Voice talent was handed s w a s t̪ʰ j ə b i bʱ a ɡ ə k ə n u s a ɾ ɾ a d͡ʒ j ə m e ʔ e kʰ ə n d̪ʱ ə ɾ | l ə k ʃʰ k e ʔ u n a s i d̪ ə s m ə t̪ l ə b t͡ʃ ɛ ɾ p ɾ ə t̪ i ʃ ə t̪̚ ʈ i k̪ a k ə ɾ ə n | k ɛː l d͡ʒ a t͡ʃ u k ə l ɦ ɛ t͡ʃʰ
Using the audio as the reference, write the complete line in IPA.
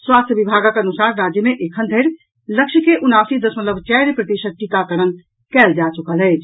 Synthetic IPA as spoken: s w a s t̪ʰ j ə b i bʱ a ɡ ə k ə n u s a ɾ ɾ a d͡ʒ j ə m e ʔ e kʰ ə n d̪ʱ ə ɾ | l ə k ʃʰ k e ʔ u n a s i d̪ ə s m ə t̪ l ə b t͡ʃ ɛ ɾ p ɾ ə t̪ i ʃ ə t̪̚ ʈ i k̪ a k ə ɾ ə n | k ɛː l d͡ʒ a t͡ʃ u k ə l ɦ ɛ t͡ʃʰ